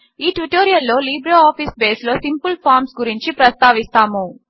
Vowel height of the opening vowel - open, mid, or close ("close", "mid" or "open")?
close